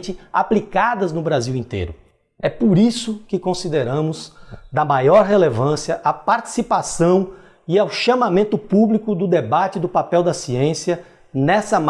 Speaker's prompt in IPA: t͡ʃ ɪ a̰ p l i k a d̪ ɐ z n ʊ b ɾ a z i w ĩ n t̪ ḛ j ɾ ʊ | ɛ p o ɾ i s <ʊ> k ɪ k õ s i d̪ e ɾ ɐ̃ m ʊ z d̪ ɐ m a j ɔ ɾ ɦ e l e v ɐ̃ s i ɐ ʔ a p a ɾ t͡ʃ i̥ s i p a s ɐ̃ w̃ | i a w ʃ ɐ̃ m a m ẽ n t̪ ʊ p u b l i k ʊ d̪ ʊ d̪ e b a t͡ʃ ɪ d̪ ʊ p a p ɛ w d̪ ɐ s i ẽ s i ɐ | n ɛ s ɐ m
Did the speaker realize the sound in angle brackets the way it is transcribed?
yes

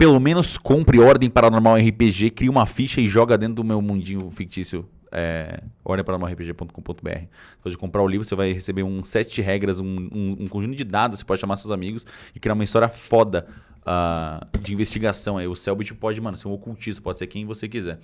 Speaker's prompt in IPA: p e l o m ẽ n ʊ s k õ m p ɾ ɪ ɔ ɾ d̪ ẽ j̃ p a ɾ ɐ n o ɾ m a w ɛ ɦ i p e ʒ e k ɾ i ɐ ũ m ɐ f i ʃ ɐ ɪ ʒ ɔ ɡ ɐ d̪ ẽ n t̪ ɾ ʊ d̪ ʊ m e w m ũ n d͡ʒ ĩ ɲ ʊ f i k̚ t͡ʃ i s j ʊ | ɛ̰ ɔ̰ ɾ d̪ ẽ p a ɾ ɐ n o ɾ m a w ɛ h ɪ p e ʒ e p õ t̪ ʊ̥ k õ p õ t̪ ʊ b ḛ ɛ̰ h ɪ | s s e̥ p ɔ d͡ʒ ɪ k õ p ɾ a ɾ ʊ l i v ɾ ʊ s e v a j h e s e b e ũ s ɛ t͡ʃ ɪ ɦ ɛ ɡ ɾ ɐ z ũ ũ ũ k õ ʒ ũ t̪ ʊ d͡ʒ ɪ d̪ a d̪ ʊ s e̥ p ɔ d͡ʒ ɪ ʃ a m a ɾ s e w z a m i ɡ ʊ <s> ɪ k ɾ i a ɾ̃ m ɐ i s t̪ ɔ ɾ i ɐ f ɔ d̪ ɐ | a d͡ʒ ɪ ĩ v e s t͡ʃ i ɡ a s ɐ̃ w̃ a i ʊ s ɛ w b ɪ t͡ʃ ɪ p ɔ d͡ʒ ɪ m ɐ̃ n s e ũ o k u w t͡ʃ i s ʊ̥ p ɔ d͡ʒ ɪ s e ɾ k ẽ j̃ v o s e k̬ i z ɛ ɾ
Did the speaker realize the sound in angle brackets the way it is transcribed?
yes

